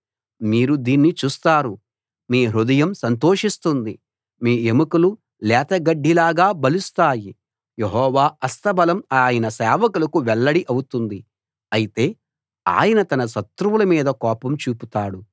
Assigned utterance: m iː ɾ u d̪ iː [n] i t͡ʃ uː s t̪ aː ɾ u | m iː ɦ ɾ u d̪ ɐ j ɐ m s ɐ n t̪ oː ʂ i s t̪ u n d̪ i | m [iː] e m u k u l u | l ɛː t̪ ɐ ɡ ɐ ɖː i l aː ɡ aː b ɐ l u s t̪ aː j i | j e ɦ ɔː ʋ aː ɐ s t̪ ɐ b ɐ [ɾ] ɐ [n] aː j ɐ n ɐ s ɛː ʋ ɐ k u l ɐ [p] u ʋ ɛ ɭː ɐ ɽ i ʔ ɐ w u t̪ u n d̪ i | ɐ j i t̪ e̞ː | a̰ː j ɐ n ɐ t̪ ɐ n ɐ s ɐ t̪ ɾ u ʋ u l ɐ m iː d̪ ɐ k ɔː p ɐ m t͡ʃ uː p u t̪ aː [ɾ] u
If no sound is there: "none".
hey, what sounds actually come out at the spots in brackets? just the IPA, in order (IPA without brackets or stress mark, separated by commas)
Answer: nː, iː, l, m, k, ɽ